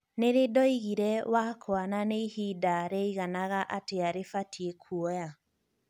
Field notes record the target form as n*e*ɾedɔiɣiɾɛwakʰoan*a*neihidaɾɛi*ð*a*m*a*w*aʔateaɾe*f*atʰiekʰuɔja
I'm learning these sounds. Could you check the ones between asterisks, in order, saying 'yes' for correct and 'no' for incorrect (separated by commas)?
yes, yes, no, no, no, yes